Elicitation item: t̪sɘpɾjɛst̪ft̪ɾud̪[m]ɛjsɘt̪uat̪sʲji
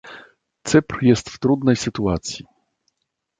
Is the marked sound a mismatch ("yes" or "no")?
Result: yes